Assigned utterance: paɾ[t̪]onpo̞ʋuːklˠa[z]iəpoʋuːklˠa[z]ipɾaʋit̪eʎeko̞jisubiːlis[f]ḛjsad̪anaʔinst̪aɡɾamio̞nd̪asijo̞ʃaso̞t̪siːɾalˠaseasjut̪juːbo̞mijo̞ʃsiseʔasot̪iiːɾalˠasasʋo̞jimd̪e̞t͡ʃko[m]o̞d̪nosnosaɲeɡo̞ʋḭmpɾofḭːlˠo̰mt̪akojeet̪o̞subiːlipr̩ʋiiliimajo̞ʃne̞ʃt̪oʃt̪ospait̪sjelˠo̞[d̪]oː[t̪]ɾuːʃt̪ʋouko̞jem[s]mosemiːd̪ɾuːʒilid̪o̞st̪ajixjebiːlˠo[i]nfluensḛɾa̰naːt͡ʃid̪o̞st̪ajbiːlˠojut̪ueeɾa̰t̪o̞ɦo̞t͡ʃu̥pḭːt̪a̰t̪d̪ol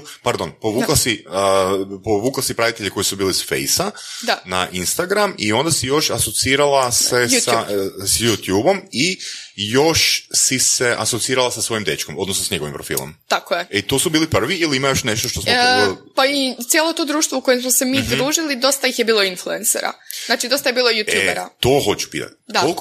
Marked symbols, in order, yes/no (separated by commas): no, no, no, yes, yes, no, no, yes, yes